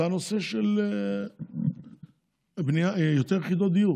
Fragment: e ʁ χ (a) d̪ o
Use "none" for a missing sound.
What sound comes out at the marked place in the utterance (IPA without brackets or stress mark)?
i